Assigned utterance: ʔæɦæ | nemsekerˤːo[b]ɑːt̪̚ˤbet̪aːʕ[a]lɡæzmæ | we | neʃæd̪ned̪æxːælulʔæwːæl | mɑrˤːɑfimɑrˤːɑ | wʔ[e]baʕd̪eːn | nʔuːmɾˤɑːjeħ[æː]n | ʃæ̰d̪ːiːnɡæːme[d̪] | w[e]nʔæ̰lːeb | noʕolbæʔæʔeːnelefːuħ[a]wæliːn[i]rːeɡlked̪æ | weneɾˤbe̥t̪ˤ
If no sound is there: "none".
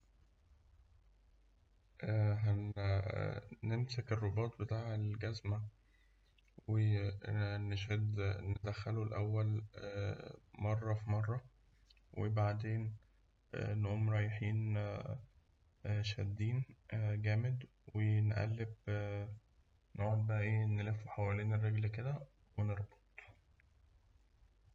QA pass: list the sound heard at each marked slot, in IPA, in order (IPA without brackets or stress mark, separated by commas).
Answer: b, e, e, iː, d̪, e, a, e